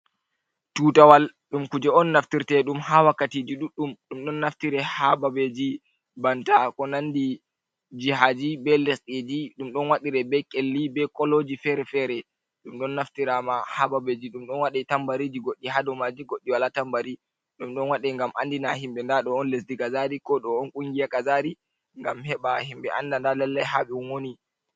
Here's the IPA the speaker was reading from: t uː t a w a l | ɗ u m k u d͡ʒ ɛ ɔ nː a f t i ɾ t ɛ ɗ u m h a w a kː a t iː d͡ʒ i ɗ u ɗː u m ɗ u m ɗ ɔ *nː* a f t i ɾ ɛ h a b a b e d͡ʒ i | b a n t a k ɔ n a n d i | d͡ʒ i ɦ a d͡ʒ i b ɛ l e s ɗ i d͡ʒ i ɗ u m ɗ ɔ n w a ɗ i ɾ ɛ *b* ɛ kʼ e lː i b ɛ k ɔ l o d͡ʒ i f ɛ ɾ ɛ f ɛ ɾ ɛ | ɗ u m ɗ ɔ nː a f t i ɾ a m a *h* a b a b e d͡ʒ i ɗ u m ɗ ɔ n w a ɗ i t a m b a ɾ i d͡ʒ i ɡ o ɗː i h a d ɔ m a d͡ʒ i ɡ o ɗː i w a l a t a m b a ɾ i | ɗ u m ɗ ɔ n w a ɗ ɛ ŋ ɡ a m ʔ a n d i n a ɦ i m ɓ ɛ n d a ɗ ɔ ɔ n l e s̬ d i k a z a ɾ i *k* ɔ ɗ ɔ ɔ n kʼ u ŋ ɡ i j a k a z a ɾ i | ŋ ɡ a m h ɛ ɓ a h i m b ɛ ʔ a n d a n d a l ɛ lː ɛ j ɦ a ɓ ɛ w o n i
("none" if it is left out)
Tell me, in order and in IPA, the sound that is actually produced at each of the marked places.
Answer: nː, b, h, k

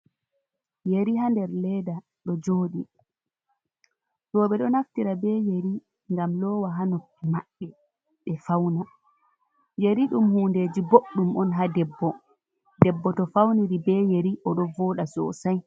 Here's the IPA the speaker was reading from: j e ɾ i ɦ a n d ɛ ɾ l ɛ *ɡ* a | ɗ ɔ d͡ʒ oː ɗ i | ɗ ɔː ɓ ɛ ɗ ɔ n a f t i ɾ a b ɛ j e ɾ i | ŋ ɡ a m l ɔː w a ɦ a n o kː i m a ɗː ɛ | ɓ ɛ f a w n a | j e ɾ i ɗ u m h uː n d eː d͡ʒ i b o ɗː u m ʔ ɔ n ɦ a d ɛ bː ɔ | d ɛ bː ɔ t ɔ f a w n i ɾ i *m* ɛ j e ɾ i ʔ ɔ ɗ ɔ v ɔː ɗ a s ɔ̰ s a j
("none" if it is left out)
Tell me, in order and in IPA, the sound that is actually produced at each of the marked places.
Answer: d, b

